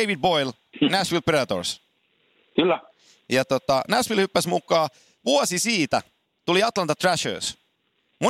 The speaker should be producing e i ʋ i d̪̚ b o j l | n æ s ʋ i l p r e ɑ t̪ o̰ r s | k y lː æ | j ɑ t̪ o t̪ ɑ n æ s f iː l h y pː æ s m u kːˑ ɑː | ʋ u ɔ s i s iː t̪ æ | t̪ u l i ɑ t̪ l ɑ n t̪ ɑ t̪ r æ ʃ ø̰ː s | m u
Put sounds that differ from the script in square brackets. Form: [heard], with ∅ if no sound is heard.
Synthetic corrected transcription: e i ʋ i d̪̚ b o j l | n æ s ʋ i l p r e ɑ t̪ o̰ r s | k y lː æ | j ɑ t̪ o t̪ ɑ n æ s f [i] l h y pː æ s m u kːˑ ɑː | ʋ u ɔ s i s iː t̪ æ | t̪ u l i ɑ t̪ l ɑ n t̪ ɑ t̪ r æ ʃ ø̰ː s | m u